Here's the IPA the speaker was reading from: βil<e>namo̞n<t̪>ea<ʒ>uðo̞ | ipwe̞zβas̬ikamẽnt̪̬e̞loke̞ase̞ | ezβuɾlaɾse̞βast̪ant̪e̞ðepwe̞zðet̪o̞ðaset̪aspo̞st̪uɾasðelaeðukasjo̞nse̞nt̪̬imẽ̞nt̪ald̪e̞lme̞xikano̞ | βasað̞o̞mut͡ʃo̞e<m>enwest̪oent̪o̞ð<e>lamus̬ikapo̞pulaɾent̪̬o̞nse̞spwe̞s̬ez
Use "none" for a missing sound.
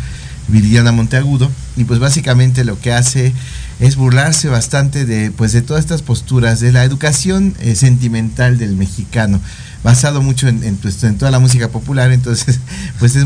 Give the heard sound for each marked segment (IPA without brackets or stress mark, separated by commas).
a, t̪, ɣ, n, a